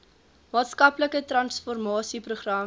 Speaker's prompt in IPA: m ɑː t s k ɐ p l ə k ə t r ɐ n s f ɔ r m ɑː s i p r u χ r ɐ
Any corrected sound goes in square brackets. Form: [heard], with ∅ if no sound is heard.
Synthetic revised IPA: m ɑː t s k ɐ p l ə k ə t r ɐ n s f ɔ r m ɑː s i p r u χ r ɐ

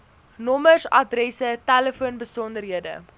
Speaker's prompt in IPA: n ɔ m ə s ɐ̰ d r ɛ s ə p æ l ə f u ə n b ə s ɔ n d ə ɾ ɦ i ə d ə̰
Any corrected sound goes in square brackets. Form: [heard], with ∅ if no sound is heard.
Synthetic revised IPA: n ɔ m ə s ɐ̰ d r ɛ s ə [t] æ l ə f u ə n b ə s ɔ n d ə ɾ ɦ i ə d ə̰

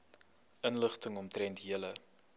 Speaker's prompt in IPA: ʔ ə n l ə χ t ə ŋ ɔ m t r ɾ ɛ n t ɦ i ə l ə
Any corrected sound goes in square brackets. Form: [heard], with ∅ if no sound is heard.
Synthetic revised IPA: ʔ ə n l ə χ t ə ŋ ɔ m t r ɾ ɛ n t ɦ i ə l ə

